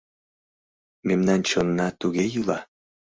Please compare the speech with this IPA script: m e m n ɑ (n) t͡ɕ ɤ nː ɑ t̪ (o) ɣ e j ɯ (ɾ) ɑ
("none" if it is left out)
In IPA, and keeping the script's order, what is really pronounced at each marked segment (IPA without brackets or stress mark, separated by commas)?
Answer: n, u, l